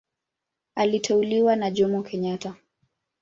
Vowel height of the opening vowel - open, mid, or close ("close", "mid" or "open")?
open